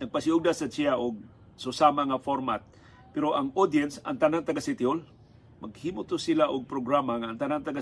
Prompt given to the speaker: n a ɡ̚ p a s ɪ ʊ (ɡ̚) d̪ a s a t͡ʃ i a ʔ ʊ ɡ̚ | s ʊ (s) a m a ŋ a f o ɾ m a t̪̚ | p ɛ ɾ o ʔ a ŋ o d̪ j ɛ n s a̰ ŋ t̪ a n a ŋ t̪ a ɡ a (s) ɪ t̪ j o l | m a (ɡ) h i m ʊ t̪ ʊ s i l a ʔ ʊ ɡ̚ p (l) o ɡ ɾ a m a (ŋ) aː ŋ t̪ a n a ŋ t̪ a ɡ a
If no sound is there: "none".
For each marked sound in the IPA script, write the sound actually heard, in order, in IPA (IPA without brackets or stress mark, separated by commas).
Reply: ɡ̚, s, s, ɡ, ɾ, ŋ